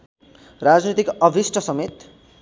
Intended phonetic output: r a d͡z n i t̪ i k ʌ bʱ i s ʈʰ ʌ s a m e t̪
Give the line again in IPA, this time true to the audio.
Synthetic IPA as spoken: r a d͡z n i t̪ i k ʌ bʱ i s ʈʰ ʌ s ʌ m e t̪